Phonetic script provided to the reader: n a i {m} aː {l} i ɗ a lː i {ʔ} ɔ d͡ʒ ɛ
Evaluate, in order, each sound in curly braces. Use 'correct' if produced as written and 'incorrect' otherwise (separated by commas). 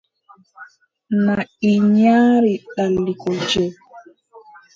incorrect, incorrect, incorrect